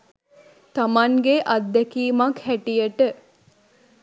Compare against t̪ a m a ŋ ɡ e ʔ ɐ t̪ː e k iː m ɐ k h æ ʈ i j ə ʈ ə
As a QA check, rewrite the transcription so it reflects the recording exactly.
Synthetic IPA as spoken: t̪ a m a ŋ ɡ e ʔ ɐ d̪ː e k iː m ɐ k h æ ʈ i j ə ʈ ə